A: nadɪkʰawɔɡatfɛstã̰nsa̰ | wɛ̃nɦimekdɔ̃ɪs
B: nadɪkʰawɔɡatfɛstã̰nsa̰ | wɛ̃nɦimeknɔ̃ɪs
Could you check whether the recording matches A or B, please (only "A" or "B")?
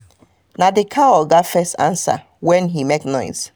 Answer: B